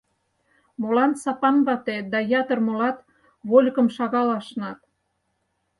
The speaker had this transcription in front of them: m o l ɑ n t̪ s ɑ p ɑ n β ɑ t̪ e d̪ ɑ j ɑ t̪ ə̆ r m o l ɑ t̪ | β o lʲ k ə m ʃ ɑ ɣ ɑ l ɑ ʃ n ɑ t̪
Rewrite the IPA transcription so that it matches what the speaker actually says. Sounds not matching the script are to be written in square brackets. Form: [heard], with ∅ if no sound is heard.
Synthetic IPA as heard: m o l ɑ n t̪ s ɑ p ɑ n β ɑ t̪ e d̪ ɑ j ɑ t̪ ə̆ r m o l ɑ t̪ | β o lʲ k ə m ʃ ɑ ɣ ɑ l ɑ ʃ n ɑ t̪